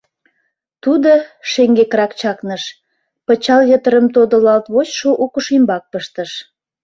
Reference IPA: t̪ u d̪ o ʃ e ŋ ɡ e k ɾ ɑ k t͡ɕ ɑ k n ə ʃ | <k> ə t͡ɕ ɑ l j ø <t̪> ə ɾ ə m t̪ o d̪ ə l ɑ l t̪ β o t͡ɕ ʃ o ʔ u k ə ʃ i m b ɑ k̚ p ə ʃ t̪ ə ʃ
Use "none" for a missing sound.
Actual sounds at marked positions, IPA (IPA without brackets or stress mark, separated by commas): p, t̪